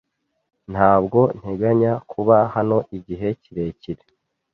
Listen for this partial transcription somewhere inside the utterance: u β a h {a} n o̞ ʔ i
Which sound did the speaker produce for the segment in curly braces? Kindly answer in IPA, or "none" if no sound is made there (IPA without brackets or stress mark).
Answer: a